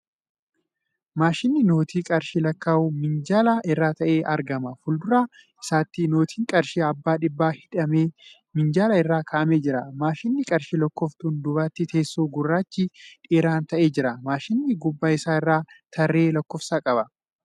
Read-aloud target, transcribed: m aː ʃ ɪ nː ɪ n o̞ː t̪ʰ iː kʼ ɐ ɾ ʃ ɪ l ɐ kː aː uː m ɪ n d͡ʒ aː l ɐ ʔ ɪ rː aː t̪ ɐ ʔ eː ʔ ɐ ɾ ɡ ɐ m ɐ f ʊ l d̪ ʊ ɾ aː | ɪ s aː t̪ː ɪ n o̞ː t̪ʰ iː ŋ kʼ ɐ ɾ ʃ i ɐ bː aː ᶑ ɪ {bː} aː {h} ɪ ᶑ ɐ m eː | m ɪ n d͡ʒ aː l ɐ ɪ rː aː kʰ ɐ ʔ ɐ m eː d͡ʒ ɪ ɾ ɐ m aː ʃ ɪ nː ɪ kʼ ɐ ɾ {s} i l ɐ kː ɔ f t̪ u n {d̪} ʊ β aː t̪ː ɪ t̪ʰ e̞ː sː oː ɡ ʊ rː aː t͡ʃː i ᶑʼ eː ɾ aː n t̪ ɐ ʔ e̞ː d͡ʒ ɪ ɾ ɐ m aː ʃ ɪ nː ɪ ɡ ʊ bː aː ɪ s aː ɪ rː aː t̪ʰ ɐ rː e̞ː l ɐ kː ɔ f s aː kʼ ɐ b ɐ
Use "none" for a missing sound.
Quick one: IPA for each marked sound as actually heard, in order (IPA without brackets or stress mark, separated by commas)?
bː, h, ʃ, d̪